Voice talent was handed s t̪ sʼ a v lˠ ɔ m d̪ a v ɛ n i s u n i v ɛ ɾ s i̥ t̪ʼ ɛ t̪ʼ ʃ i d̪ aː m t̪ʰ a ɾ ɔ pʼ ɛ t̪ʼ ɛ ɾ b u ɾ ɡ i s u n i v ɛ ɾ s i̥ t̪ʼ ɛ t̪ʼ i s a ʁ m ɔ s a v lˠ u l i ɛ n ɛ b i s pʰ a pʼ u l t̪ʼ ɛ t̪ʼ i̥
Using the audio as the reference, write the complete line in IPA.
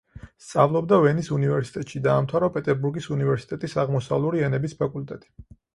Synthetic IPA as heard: s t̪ sʼ a v lˠ ɔ b d̪ a v ɛ n i s u n i v ɛ ɾ s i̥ t̪ʼ ɛ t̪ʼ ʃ i d̪ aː m t̪ʰ a ɾ ɔ pʼ ɛ t̪ʼ ɛ ɾ b u ɾ ɡ i s u n i v ɛ ɾ s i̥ t̪ʼ ɛ t̪ʼ i s a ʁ m ɔ s a v lˠ u ɾ i ɛ n ɛ b i s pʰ a kʼ u l t̪ʼ ɛ t̪ʼ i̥